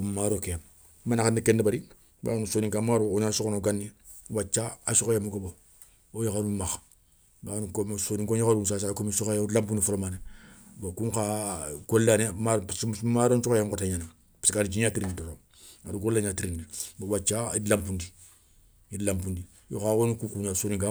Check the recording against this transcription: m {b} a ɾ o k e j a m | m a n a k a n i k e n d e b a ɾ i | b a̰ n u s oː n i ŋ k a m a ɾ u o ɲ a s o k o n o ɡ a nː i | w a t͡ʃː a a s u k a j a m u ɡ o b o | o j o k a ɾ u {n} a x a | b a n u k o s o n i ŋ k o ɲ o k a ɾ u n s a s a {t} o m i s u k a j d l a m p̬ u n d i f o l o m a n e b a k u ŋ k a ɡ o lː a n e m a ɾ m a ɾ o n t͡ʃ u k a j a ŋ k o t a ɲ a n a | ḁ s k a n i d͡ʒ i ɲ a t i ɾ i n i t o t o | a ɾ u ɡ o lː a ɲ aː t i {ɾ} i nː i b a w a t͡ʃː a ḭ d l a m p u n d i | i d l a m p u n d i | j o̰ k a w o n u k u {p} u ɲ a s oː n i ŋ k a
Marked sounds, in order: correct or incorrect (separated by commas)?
incorrect, incorrect, incorrect, correct, incorrect